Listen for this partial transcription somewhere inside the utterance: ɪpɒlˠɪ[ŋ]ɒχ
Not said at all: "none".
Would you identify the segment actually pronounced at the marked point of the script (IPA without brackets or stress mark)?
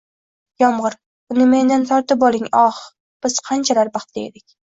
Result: ŋ